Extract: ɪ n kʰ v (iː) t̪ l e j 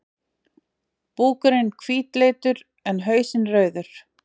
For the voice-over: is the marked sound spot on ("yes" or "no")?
yes